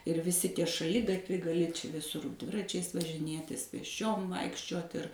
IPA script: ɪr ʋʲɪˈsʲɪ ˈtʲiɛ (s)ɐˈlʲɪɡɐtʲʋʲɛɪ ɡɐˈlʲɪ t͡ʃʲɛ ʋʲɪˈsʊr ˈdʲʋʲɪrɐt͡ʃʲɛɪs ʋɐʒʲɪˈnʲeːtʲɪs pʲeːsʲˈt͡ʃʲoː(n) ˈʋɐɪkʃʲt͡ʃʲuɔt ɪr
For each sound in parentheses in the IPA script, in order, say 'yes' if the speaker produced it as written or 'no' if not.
no, no

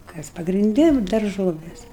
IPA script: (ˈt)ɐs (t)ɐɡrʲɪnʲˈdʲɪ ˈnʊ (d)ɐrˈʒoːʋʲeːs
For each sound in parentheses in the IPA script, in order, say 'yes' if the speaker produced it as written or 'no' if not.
no, no, yes

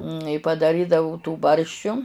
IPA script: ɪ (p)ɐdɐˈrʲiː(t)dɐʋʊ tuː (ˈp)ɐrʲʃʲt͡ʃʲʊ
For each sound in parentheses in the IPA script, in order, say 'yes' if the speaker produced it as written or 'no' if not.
yes, no, no

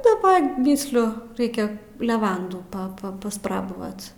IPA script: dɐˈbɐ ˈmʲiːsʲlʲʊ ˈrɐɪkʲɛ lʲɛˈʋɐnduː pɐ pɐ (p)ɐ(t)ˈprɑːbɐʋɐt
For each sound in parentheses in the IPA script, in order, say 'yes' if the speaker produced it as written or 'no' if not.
yes, no

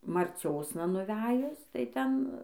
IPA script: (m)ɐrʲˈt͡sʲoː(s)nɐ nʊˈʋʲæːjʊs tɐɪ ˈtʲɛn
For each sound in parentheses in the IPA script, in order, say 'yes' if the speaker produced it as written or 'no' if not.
yes, yes

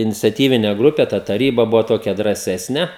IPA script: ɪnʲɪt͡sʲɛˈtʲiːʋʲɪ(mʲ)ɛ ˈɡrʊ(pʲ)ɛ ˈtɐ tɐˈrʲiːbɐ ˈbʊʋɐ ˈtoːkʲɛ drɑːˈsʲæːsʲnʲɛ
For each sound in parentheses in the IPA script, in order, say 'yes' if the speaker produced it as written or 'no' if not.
no, yes

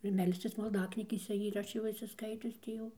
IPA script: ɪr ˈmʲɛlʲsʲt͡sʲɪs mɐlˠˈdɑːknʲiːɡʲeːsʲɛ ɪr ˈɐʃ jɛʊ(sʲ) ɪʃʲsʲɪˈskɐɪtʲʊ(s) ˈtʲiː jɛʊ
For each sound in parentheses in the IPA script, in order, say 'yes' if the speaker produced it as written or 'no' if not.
no, yes

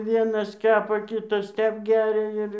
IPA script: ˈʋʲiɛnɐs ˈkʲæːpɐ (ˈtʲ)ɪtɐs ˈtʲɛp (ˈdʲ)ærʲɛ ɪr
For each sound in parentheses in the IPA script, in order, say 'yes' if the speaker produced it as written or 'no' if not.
no, no

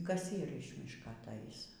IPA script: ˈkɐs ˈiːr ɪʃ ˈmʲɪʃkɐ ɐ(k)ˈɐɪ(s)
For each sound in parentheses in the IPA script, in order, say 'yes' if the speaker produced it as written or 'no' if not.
no, yes

